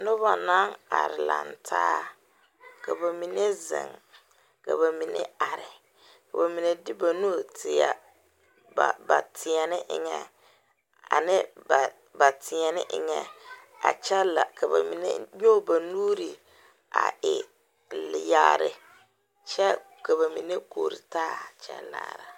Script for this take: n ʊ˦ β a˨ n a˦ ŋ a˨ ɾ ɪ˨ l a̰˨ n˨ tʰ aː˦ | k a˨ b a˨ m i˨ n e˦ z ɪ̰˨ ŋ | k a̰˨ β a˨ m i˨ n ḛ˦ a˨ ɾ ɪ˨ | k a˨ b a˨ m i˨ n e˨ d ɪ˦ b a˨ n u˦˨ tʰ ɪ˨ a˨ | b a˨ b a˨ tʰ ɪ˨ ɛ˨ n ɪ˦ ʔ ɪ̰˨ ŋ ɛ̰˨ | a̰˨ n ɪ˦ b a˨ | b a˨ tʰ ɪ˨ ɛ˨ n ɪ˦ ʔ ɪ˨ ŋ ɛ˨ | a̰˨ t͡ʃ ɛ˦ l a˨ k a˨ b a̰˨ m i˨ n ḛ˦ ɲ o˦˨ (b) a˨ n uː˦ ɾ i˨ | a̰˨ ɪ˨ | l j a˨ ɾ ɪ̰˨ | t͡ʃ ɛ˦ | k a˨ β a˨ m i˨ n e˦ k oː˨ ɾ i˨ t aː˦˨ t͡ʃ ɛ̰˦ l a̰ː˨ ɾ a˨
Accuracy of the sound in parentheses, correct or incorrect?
correct